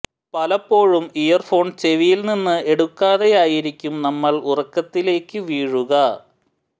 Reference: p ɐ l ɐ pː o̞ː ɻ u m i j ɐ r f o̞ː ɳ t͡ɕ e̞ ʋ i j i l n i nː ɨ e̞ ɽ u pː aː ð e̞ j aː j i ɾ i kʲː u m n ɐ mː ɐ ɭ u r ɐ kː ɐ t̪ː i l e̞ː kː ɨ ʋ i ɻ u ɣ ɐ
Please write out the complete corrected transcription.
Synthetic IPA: p ɐ l ɐ pː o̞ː ɻ u m i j ɐ r f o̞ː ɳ t͡ɕ e̞ ʋ i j i l n i nː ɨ e̞ ɽ u kː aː ð e̞ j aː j i ɾ i kʲː u m n ɐ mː ɐ ɭ u r ɐ kː ɐ t̪ː i l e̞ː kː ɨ ʋ iː ɻ u ɣ ɐ